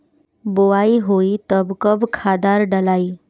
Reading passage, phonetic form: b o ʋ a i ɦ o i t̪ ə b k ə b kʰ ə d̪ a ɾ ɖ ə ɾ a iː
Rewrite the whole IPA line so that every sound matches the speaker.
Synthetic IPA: b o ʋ a i ɦ o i t̪ ə b k ə b kʰ a d̪ a ɾ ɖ ə l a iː